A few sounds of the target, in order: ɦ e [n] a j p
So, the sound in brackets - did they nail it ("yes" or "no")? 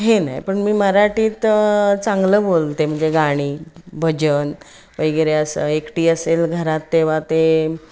yes